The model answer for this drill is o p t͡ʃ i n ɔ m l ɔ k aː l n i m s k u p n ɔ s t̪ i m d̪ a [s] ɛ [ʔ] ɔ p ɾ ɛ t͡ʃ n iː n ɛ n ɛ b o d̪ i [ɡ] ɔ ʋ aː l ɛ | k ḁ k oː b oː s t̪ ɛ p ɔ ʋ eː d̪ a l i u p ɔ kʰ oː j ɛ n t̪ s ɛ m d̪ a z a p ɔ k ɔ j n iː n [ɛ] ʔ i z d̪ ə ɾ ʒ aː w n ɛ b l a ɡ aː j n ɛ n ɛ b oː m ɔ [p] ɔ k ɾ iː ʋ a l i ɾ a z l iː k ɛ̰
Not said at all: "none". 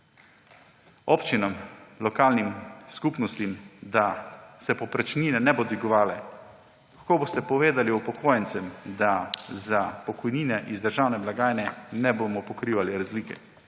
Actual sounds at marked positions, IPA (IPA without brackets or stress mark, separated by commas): s, p, ɡ, ɛ, p